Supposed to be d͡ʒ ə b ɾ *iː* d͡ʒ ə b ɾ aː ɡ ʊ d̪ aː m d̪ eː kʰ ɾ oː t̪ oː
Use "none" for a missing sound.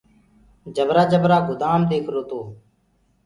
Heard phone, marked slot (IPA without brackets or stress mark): aː